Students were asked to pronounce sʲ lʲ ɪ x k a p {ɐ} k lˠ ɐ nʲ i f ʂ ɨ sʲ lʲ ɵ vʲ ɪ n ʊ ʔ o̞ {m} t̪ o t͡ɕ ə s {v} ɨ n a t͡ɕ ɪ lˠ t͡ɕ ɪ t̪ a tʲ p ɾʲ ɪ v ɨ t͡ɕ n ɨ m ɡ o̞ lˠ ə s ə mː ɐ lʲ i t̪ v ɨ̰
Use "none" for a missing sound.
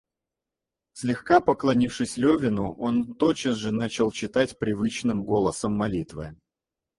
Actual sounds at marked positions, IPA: ə, n, ʐ

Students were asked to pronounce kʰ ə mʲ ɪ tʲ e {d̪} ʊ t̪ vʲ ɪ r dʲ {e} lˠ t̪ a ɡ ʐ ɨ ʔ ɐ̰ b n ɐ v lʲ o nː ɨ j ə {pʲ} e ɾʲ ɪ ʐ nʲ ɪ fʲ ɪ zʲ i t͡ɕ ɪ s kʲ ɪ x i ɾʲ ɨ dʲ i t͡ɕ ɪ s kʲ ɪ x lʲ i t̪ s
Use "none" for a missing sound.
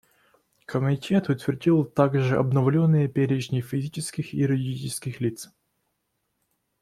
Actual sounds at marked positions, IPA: t̪, i, pʲ

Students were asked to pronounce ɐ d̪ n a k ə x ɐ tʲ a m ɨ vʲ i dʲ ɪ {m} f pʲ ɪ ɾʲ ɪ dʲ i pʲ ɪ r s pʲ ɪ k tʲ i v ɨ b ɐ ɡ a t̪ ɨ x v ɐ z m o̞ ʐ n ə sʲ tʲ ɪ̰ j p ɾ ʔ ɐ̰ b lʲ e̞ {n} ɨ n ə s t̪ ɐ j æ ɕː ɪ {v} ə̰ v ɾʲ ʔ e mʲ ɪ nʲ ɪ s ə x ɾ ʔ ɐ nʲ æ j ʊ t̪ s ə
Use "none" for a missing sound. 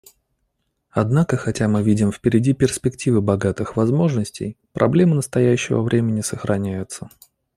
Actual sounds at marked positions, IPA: m, m, v

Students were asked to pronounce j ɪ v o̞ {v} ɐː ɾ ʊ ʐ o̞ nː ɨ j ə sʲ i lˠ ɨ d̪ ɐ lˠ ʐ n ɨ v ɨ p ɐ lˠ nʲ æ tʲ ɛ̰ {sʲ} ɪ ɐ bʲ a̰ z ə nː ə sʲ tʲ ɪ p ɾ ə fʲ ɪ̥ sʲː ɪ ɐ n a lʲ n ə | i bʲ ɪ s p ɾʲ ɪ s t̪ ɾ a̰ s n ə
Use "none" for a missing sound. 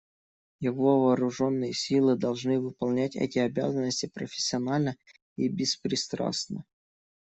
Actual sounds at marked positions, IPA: v, tʲ

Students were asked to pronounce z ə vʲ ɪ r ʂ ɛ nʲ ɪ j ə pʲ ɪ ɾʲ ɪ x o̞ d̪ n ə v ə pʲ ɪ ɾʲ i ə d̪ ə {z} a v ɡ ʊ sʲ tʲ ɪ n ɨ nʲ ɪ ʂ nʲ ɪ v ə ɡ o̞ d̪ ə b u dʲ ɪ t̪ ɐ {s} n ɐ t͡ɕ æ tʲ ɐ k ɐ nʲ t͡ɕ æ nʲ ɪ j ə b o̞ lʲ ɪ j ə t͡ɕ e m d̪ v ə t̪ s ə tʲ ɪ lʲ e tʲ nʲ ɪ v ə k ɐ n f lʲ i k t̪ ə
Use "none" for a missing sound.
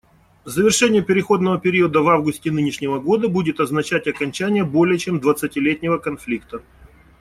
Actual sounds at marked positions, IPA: v, z

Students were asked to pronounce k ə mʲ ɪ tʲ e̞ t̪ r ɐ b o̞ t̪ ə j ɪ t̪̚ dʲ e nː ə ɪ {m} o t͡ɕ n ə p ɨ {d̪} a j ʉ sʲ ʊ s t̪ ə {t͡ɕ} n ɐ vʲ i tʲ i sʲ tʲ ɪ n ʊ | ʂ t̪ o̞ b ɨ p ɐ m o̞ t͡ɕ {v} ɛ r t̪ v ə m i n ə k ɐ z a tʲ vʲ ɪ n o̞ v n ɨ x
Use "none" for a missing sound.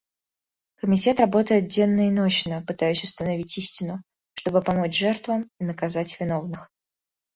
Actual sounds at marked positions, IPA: n, t̪, none, ʐ

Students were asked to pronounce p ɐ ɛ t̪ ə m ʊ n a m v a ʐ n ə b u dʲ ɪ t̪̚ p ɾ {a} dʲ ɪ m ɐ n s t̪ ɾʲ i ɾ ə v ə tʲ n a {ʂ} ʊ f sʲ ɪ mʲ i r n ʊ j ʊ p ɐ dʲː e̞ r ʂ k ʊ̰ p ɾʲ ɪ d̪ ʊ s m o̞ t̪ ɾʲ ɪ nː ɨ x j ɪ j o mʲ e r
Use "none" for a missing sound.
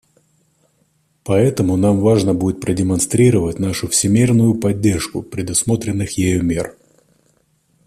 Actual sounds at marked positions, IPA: ə, ʂ

